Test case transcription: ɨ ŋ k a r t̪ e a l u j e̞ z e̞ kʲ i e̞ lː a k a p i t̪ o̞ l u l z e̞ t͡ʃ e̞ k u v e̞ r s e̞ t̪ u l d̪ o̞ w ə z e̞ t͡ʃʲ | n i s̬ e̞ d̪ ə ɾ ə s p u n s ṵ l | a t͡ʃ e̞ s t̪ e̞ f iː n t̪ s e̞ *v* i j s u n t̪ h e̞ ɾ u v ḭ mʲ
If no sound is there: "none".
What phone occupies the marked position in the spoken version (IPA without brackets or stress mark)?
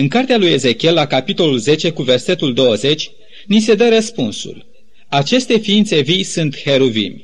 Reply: v